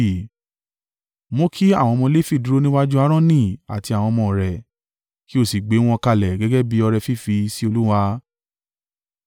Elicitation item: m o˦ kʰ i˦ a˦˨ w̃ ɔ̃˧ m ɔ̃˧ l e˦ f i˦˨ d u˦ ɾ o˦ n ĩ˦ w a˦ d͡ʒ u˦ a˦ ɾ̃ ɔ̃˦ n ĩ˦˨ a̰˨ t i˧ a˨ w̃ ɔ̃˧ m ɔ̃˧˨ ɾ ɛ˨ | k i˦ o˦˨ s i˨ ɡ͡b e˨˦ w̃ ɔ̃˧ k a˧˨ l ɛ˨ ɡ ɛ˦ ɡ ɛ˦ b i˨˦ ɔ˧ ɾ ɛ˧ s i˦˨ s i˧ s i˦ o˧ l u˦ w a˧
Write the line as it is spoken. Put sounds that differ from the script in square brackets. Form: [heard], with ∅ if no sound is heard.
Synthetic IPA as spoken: m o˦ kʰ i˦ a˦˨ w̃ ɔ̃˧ m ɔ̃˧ l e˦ f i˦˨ d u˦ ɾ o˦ n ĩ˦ w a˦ d͡ʒ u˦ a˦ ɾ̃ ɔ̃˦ n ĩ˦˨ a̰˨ t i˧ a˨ w̃ ɔ̃˧ m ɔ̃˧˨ ɾ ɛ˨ | k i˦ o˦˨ s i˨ ɡ͡b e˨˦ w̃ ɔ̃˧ k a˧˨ l ɛ˨ ɡ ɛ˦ ɡ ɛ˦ b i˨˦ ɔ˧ ɾ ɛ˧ [f] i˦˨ [f] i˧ s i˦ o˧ l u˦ w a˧